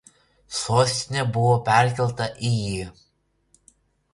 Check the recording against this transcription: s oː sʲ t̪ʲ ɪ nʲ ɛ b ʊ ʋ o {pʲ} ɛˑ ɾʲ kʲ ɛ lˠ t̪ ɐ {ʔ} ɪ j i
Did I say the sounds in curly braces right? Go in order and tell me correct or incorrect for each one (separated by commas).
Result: correct, correct